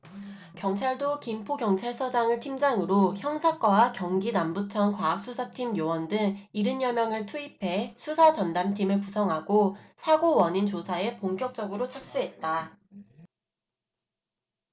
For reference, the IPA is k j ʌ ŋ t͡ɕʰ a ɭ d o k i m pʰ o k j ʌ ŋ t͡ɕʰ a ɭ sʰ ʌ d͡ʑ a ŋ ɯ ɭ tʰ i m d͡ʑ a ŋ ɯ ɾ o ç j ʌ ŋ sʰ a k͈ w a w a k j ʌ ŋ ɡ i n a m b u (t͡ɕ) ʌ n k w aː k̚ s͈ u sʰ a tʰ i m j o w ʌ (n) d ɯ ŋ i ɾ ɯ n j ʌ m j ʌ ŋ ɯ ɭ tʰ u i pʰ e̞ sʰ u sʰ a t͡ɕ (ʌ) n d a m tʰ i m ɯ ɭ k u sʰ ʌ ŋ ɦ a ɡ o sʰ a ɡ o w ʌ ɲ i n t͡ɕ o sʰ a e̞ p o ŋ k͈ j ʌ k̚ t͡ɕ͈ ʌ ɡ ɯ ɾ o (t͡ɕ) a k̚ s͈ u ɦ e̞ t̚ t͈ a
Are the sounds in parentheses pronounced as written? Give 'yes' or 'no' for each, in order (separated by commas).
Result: no, yes, yes, no